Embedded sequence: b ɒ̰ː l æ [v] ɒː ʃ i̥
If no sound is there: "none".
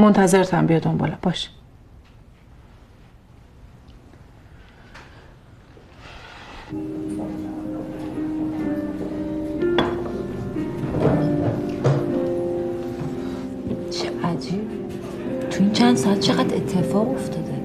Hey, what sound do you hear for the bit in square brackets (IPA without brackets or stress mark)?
b